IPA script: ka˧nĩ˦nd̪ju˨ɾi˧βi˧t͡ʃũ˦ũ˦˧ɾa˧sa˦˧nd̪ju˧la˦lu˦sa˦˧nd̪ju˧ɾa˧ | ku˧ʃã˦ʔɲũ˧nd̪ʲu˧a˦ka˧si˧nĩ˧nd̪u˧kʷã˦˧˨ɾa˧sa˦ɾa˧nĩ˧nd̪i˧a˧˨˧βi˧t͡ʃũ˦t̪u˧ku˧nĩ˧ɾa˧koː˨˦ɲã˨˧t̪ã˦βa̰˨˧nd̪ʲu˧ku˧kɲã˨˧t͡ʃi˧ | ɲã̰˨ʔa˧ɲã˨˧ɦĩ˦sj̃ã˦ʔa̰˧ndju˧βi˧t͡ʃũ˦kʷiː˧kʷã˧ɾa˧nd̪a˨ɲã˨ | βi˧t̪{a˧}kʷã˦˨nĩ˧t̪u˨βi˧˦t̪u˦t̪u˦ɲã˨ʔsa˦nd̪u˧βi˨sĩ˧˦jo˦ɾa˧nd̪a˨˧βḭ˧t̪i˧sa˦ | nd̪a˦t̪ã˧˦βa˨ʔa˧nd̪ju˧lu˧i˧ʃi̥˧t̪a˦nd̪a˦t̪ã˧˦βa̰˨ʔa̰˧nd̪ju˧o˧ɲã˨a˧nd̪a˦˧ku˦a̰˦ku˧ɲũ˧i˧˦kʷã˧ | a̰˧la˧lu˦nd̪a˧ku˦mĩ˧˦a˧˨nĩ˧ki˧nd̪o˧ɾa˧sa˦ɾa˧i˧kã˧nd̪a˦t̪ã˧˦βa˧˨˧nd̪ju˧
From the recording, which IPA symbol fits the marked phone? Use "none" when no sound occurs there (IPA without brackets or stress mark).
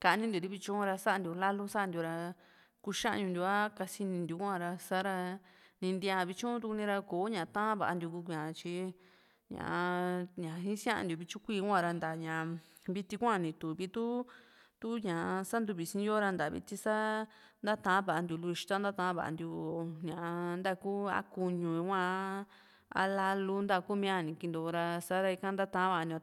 i˧